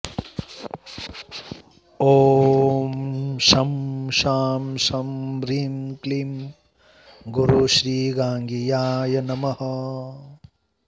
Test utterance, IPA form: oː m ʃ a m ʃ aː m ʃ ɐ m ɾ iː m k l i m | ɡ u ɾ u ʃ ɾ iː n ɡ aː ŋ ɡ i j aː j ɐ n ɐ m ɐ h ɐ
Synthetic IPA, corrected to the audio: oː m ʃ ɐ m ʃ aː m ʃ ɐ m ɾ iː m k l i m | ɡ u ɾ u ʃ ɾ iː ɡ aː ŋ ɡ i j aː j ɐ n ɐ m ɐ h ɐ